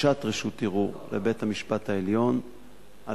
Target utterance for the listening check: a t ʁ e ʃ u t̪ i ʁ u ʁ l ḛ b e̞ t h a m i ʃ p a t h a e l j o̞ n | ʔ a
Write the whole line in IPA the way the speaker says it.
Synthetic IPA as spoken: a t ʁ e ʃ u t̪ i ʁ u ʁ l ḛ b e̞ t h a m i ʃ p a t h a e l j o̞ n | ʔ a